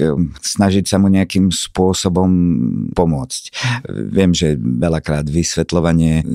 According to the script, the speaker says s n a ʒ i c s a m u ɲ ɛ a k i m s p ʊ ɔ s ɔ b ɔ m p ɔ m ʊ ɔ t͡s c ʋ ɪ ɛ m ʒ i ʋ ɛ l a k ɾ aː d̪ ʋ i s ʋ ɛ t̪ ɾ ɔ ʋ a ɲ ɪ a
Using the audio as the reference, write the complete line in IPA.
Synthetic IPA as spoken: s n a ʒ i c s a m u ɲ ɛ a k i m s p ʊ ɔ s ɔ b ɔ m p ɔ m ʊ ɔ t͡s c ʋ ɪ ɛ m ʒ ɛ ʋ ɛ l a k ɾ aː d̪ ʋ i s ʋ ɛ t̪ l ɔ ʋ a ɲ ɪ ɛ